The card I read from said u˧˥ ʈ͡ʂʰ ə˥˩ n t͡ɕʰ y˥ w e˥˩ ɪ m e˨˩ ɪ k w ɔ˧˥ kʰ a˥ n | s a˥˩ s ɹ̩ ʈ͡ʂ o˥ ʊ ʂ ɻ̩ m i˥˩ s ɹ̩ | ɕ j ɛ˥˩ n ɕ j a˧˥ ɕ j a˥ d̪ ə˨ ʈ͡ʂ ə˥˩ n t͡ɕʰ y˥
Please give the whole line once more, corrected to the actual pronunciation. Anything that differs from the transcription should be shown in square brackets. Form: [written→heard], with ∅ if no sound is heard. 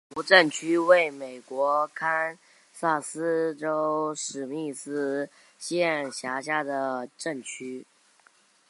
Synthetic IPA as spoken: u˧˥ [ʈ͡ʂʰ→ʈ͡ʂ] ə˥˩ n t͡ɕʰ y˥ w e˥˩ ɪ m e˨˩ ɪ k w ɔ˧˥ kʰ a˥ n | s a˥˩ s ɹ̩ ʈ͡ʂ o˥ ʊ ʂ ɻ̩ m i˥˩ s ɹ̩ | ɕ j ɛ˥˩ n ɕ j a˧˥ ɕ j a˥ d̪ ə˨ ʈ͡ʂ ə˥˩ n t͡ɕʰ y˥